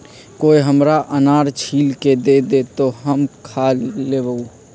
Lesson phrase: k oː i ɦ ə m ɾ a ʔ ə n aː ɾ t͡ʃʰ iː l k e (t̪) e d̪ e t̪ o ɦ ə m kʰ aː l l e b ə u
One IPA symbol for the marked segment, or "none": d̪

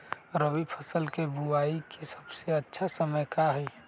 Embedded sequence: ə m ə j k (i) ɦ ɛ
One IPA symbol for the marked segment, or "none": a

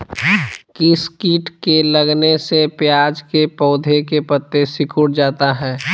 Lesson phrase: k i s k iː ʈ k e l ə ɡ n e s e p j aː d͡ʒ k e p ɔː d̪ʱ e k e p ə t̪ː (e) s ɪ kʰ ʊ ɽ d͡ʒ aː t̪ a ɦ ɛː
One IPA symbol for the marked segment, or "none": e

